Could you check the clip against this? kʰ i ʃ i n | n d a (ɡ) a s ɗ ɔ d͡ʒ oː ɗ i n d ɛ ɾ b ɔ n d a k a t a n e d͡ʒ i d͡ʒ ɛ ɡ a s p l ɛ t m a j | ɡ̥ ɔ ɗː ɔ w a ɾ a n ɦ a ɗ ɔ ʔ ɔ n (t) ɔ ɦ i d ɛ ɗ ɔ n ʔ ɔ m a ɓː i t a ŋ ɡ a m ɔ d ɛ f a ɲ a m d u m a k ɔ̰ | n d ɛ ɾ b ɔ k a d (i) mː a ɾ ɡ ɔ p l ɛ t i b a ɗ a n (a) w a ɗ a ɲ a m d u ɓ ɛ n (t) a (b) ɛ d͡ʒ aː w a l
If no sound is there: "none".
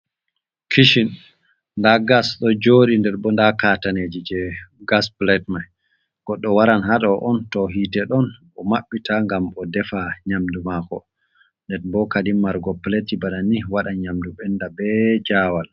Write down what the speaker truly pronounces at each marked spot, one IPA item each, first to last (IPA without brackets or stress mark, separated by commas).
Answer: ɡ, t, i, i, d, b